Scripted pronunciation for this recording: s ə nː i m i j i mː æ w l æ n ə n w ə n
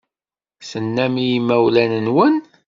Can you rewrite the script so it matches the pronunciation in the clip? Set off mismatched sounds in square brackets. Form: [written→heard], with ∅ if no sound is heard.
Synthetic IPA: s ə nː [i→æ] m i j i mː æ w l æ n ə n w ə n